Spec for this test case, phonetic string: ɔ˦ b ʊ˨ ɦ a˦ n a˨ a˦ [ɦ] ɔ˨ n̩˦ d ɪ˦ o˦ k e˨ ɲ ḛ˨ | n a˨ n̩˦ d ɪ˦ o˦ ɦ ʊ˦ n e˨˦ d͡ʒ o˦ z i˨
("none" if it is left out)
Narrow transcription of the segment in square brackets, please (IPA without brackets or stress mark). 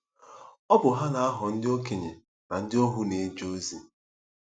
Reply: ɦ